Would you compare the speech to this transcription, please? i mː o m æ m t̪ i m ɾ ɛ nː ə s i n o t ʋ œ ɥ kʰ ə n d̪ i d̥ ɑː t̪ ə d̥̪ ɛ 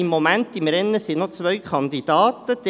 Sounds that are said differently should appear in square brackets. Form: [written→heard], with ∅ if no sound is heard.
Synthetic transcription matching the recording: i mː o m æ [m→n] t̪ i m ɾ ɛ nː ə s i n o [t→t͡s] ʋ œ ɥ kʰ [ə→ɑ] n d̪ i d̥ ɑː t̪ ə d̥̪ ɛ